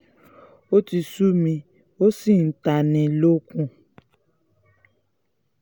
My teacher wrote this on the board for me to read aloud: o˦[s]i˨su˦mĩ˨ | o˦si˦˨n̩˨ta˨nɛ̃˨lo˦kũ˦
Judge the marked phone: incorrect: t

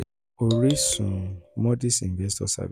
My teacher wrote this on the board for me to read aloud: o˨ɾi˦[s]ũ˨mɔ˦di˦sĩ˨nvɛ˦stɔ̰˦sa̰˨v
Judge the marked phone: correct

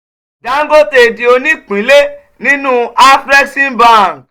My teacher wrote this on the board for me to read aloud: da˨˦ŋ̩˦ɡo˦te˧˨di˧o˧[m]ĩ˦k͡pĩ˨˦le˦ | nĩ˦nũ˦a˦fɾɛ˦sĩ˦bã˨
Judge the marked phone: incorrect: n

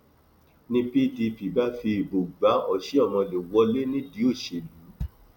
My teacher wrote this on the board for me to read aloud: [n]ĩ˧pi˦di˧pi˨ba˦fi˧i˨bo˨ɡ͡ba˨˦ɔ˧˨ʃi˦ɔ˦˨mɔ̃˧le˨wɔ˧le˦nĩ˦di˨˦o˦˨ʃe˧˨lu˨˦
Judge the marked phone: correct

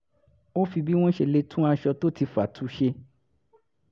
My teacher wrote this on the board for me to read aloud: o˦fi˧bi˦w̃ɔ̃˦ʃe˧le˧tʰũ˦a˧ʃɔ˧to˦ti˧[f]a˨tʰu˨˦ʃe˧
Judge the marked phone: correct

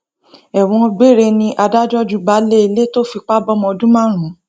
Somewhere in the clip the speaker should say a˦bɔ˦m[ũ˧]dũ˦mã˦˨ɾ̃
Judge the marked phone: incorrect: ɔ̃˧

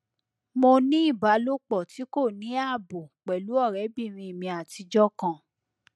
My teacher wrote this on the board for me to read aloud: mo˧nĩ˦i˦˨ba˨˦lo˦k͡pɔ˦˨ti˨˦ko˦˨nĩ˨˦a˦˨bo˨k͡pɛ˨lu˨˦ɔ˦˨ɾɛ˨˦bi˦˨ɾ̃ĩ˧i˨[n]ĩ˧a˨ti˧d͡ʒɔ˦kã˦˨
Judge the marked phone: incorrect: m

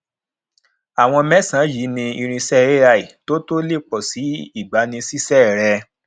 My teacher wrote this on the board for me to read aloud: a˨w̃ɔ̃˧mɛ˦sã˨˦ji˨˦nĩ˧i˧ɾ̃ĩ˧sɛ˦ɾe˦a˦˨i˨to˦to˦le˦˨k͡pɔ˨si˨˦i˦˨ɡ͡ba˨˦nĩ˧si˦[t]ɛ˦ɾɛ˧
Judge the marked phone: incorrect: s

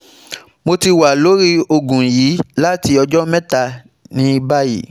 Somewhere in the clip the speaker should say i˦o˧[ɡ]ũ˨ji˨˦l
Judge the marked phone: correct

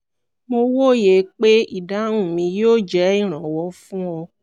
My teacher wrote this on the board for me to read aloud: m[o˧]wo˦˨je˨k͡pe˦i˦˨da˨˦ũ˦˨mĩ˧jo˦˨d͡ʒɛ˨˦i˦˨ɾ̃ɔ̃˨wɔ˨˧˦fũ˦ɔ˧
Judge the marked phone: correct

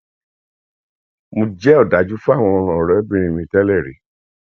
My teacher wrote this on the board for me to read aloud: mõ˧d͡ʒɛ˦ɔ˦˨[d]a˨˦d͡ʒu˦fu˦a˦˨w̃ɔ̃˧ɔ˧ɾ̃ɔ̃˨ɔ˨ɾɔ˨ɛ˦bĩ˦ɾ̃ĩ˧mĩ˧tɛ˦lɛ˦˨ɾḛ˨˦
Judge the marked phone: correct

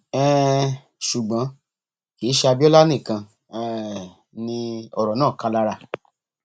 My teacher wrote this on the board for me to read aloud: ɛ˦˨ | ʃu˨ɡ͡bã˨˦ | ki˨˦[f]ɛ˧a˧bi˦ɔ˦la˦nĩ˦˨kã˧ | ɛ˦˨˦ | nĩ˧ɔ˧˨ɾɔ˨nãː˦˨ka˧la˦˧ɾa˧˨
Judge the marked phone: incorrect: ʃ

